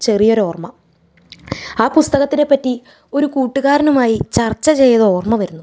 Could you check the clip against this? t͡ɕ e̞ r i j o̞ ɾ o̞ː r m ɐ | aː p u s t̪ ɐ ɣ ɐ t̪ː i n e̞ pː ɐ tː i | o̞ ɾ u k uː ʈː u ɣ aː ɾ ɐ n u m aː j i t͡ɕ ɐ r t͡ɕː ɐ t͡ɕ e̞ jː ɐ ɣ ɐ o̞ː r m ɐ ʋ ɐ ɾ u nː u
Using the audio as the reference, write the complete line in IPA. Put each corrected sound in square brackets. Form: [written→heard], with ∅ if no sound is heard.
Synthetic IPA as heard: t͡ɕ e̞ r i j o̞ ɾ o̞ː r m ɐ | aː p u s t̪ ɐ ɣ ɐ t̪ː i n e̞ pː ɐ tː i | o̞ ɾ u k uː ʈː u ɣ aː ɾ ɐ n u m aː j i t͡ɕ ɐ r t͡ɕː ɐ t͡ɕ e̞ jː ɐ [ɣ→ð] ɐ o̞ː r m ɐ ʋ ɐ ɾ u nː u